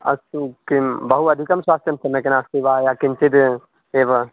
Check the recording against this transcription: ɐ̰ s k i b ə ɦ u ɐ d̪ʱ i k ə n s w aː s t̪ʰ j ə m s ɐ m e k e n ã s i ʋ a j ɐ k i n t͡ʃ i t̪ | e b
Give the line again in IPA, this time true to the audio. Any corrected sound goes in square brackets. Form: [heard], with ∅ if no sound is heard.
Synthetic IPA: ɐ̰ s k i b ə ɦ u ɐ d̪ʱ i k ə [m] s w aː s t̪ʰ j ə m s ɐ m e k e n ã s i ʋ a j [a] k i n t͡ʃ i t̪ | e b